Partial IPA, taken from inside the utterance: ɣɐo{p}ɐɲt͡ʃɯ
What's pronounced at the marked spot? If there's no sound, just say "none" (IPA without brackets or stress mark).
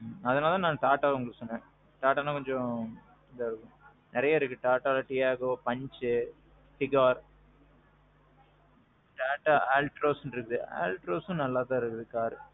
p